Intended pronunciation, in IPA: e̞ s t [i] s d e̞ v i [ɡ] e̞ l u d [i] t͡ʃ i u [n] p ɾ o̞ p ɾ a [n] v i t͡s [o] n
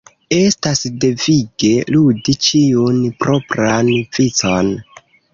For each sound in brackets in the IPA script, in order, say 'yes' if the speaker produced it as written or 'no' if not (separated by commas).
no, yes, yes, yes, yes, yes